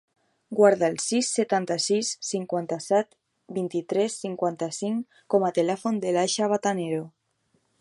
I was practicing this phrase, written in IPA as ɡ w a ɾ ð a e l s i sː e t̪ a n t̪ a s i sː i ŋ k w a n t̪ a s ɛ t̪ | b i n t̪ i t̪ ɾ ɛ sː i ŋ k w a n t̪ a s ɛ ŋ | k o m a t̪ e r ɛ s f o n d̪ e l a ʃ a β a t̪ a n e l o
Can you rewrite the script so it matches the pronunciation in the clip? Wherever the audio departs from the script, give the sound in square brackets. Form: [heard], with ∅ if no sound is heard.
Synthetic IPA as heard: ɡ w a ɾ ð a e l s i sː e t̪ a n t̪ a s i sː i ŋ k w a n t̪ a s ɛ t̪ | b i n t̪ i t̪ ɾ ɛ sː i ŋ k w a n t̪ a s [i] ŋ | k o m a t̪ e [l] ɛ [∅] f o n d̪ e l a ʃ a β a t̪ a n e [ɾ] o